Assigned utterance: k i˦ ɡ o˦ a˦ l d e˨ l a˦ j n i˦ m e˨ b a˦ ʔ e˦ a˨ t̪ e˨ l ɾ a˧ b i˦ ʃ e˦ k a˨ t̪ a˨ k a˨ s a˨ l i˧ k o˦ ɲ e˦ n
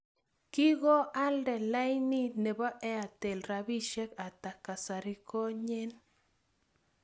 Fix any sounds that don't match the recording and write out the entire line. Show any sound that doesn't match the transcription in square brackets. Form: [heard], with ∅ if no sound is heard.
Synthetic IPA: k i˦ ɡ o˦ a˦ l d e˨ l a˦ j n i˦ [n] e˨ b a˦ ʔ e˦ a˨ t̪ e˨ l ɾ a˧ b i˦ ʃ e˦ k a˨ t̪ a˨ k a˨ s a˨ [ɾ] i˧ k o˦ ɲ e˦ n